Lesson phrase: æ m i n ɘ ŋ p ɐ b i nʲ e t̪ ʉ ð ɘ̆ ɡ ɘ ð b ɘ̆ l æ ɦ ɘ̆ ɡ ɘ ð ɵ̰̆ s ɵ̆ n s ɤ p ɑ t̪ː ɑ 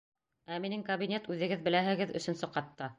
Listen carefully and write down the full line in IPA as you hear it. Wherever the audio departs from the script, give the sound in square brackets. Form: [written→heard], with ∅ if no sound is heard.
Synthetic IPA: æ m i n ɘ ŋ [p→k] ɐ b i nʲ e t̪ ʉ ð ɘ̆ ɡ ɘ ð b ɘ̆ l æ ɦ ɘ̆ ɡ ɘ ð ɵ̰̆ s ɵ̆ n s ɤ [p→q] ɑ t̪ː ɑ